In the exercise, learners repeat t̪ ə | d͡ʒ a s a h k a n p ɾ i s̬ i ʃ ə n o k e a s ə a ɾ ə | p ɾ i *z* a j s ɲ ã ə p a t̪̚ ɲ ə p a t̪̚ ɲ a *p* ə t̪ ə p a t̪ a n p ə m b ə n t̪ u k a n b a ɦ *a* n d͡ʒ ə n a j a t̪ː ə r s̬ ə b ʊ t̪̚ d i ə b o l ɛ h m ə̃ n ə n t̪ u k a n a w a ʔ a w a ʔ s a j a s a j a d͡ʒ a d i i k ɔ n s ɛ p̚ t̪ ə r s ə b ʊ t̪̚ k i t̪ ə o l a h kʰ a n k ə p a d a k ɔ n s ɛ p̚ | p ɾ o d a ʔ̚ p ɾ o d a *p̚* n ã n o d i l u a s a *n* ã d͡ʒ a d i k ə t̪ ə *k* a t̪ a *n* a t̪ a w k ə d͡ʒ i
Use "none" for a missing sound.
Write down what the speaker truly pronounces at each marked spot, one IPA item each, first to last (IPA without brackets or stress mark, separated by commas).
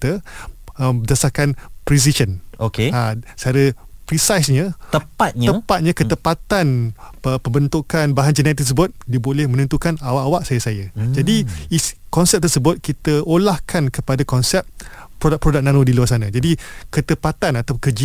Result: s, k, a, k̚, n, p, n